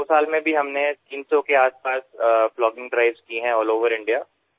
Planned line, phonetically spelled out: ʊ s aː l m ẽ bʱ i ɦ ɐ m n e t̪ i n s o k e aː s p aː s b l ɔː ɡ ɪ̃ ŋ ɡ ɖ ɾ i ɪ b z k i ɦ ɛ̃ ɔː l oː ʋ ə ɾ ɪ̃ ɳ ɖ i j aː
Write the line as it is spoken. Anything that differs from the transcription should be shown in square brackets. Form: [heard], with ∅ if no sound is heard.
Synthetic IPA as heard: ʊ s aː l m ẽ bʱ i ɦ ɐ m n e t̪ [iː] n s o k e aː s p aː s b l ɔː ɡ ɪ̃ ŋ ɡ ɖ ɾ [a] ɪ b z k i ɦ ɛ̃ ɔː l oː ʋ ə ɾ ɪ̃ ɳ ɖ i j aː